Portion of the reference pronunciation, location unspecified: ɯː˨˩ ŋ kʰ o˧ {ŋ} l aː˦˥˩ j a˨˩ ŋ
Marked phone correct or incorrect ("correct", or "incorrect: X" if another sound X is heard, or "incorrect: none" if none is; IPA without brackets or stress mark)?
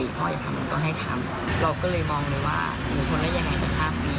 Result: incorrect: n